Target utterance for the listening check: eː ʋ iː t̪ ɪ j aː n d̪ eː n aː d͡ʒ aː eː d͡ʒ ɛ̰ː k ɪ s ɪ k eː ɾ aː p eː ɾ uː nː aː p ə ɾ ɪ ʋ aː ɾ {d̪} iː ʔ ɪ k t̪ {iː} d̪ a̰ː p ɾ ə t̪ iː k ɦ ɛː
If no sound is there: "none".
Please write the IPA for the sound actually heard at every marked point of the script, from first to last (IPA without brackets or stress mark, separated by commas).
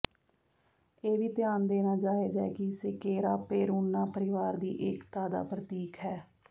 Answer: d̪, aː